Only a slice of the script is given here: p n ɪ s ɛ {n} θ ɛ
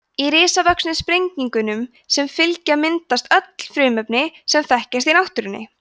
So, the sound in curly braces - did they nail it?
no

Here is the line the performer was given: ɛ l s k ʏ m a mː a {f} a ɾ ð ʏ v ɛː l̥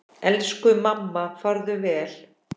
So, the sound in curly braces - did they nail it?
yes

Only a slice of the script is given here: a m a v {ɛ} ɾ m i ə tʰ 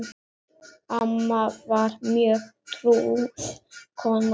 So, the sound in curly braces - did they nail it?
no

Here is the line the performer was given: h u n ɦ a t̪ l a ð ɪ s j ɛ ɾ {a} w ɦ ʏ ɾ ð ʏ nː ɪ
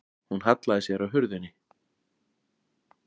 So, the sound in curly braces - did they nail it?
yes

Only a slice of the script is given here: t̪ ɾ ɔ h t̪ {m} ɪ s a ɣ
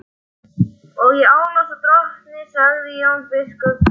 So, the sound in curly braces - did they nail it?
no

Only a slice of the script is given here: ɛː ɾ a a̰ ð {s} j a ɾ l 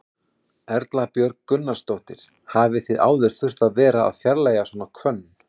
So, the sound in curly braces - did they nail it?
no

